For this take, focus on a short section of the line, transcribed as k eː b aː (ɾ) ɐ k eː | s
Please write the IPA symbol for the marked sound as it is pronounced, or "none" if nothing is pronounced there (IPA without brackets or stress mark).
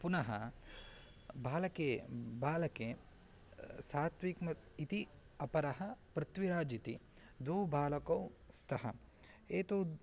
l